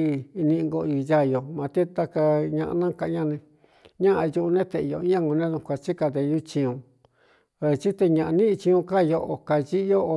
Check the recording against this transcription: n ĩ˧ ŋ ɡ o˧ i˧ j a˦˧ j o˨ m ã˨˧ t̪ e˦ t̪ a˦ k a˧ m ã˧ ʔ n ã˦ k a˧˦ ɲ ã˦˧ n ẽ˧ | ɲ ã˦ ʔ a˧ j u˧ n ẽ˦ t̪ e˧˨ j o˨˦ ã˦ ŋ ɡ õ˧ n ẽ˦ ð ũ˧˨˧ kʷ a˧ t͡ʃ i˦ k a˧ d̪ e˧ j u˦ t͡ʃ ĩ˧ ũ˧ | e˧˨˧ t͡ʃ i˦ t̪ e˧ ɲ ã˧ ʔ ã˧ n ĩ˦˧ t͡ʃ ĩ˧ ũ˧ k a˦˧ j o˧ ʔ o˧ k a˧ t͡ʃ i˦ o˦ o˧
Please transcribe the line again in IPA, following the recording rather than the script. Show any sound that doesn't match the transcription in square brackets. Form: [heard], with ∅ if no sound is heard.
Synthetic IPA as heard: n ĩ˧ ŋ ɡ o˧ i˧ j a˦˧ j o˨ m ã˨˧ t̪ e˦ t̪ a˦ k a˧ [ɲ] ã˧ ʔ n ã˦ k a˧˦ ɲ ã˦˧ n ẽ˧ | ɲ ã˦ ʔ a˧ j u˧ n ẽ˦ t̪ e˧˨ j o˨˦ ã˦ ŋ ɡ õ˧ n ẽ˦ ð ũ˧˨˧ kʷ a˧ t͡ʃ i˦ k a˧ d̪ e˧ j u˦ t͡ʃ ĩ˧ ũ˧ | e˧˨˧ t͡ʃ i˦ t̪ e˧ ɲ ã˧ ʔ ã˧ n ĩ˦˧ t͡ʃ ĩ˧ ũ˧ k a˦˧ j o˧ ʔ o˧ k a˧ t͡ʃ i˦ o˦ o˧